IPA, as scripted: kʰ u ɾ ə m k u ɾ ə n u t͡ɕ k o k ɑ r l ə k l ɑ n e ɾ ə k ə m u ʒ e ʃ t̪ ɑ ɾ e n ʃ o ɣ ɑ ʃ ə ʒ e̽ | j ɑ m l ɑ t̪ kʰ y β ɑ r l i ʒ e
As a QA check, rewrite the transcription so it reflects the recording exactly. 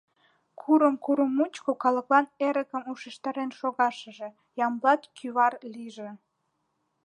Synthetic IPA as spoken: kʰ u ɾ ə m k u ɾ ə m u t͡ɕ k o k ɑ l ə k l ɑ n e ɾ ə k ə m u ʃ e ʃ t̪ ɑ ɾ e n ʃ o ɣ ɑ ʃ ə ʒ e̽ | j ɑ m l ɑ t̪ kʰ y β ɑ r l i ʒ e